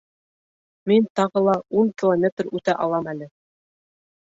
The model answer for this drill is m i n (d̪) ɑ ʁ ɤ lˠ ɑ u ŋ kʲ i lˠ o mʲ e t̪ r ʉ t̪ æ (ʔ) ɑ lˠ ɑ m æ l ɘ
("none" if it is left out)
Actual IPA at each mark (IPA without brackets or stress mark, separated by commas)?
t̪, ʔ